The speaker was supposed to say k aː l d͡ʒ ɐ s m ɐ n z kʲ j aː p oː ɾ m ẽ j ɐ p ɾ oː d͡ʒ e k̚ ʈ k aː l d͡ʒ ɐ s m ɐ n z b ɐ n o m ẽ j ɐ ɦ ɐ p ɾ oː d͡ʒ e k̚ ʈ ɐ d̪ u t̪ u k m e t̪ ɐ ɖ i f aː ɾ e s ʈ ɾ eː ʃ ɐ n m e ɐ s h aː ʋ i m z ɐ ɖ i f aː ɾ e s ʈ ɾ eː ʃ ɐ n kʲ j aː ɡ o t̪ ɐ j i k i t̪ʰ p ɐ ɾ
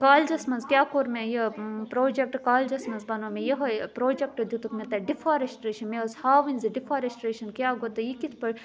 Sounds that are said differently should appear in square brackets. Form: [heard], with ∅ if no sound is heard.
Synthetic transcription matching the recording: k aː l d͡ʒ ɐ s m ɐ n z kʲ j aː [k] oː ɾ m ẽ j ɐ p ɾ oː d͡ʒ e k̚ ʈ k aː l d͡ʒ ɐ s m ɐ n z b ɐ n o m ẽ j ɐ ɦ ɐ p ɾ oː d͡ʒ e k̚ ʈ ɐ d̪ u t̪ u k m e t̪ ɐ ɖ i f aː ɾ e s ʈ ɾ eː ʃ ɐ n m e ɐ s h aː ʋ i [n] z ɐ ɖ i f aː ɾ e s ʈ ɾ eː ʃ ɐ n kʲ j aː ɡ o t̪ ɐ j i k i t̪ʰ p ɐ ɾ